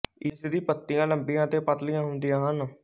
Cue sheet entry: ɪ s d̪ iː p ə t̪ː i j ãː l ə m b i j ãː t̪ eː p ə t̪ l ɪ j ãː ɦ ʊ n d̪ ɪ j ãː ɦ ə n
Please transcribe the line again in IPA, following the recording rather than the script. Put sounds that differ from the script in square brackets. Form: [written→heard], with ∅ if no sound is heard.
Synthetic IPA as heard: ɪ s d̪ iː p ə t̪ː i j ãː l ə m b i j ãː t̪ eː p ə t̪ l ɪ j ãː ɦ ʊ n d̪ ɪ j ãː ɦ ə n